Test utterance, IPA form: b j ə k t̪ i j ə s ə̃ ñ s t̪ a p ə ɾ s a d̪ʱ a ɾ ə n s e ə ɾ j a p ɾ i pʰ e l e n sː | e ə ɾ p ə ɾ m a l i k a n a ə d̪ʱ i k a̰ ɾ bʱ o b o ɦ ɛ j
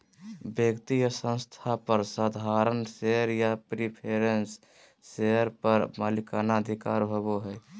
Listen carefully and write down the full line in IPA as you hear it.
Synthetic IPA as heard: b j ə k t̪ i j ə s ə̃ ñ s t̪ʰ a p ə ɾ s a d̪ʱ a ɾ ə n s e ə ɾ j a p ɾ i pʰ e ɾ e n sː | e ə ɾ p ə ɾ m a l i k a n a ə d̪ʱ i k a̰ ɾ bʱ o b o ɦ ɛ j